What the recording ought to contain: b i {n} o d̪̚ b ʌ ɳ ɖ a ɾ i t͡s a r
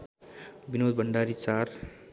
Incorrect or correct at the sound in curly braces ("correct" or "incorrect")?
correct